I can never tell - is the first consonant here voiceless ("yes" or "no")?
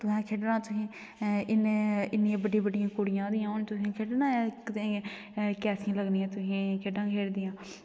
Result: yes